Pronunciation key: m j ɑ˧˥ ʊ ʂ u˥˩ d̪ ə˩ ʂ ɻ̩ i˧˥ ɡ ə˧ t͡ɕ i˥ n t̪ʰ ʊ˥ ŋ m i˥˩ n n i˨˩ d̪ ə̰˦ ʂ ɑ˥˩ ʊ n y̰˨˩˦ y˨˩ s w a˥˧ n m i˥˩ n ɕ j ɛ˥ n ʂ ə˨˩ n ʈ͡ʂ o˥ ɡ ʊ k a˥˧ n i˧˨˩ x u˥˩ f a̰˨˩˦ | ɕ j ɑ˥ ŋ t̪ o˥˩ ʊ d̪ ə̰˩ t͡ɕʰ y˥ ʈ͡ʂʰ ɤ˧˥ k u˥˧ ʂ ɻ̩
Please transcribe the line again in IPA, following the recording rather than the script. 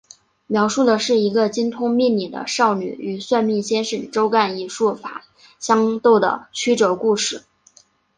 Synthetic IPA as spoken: m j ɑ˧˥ ʊ ʂ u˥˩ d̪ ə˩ ʂ ɻ̩ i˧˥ ɡ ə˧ t͡ɕ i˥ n t̪ʰ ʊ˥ ŋ m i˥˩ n n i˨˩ d̪ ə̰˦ ʂ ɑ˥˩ ʊ n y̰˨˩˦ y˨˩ s w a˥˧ n m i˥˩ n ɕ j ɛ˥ n ʂ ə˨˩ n ʈ͡ʂ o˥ ʊ k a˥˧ n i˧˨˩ ʂ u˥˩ f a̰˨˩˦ | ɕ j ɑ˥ ŋ t̪ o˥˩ ʊ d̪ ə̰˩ t͡ɕʰ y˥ ʈ͡ʂ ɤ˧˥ k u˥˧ ʂ ɻ̩

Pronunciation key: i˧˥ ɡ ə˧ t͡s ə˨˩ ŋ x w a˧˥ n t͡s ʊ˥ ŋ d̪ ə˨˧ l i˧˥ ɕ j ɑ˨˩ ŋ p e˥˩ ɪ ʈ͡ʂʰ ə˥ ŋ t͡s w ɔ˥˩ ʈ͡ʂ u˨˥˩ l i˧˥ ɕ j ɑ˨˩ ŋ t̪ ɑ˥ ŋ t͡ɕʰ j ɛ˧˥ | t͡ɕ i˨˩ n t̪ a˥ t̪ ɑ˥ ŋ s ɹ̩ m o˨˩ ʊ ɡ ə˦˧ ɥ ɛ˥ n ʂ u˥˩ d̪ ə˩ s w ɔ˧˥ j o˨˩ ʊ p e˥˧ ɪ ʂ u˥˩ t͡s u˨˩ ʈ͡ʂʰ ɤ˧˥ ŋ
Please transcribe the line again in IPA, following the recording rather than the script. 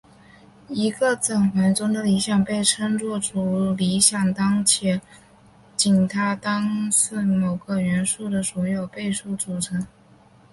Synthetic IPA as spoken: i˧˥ ɡ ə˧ t͡s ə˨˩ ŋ x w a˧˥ n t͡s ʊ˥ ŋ d̪ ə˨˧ l i˧˥ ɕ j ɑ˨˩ ŋ p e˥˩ ɪ ʈ͡ʂʰ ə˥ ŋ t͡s w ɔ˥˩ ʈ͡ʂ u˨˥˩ l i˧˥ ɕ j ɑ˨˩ ŋ t̪ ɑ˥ ŋ t͡ɕʰ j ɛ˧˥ | t͡ɕ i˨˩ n t̪ʰ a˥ t̪ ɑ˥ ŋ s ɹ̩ m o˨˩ ʊ ɡ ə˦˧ ɥ ɛ˧˥ n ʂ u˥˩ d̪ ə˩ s w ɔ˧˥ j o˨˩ ʊ p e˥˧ ɪ ʂ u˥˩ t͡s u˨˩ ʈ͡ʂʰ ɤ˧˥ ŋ

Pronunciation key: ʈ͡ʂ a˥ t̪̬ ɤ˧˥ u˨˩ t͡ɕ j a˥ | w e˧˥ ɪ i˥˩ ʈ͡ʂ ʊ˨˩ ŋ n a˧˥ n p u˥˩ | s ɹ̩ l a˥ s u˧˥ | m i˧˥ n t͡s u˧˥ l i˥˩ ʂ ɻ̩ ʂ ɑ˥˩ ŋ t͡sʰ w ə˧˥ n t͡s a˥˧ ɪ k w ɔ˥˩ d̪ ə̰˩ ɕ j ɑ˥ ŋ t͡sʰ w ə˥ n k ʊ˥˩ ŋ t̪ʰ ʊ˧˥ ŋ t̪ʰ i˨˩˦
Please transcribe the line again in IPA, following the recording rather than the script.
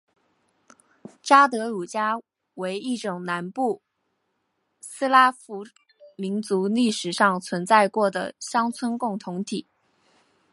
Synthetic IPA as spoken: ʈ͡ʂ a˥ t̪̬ ɤ˧˥ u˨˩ t͡ɕ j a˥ | w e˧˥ ɪ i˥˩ ʈ͡ʂ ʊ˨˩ ŋ n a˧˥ n p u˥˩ | s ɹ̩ l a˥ f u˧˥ | m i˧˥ n t͡s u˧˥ l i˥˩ ʂ ɻ̩ ʂ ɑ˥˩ ŋ t͡sʰ w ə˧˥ n t͡s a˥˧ ɪ k w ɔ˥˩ d̪ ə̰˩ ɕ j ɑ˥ ŋ t͡sʰ w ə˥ n k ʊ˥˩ ŋ t̪ʰ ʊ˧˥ ŋ t̪ʰ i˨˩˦

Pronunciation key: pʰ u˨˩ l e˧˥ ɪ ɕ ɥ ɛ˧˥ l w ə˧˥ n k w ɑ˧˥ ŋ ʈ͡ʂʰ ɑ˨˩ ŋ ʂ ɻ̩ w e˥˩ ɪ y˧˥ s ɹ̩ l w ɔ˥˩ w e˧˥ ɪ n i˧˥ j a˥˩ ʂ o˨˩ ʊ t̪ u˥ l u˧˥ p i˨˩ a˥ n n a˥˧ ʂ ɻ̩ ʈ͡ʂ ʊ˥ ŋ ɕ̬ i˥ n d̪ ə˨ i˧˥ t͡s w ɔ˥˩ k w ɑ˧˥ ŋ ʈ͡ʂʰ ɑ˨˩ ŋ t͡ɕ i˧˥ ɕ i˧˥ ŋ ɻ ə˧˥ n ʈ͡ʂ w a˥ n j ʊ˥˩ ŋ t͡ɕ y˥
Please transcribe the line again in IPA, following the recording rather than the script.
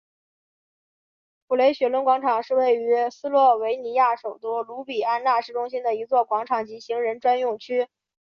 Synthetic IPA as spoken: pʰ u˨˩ l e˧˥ ɪ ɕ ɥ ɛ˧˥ l w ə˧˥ n k w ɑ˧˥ ŋ ʈ͡ʂʰ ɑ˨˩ ŋ ʂ ɻ̩ w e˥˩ ɪ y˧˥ s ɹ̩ l w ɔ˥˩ w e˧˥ ɪ n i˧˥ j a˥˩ ʂ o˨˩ ʊ t̪ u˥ l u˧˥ p i˨˩ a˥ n n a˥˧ ʂ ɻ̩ ʈ͡ʂ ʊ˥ ŋ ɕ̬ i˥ n d̪ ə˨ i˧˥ t͡s w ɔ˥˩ k w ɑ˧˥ ŋ ʈ͡ʂʰ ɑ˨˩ ŋ t͡ɕ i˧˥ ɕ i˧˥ ŋ ɻ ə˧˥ n ʈ͡ʂ w a˥ n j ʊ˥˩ ŋ t͡ɕʰ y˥

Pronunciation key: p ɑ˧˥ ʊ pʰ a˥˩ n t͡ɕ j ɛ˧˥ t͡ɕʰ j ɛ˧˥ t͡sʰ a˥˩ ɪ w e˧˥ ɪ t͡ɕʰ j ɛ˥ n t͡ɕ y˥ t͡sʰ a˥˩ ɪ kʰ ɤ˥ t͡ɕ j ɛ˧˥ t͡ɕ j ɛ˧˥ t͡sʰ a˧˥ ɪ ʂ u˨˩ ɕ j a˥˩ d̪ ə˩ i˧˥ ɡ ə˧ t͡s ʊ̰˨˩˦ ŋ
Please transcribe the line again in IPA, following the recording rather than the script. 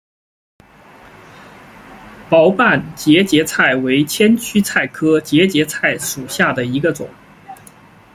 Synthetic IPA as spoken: p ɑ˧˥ ʊ p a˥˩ n t͡ɕ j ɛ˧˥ t͡ɕ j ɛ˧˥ t͡sʰ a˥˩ ɪ w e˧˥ ɪ t͡ɕʰ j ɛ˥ n t͡ɕʰ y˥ t͡sʰ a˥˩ ɪ kʰ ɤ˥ t͡ɕ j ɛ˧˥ t͡ɕ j ɛ˧˥ t͡sʰ a˥˩ ɪ ʂ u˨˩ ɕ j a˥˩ d̪ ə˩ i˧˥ ɡ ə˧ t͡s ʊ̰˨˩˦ ŋ

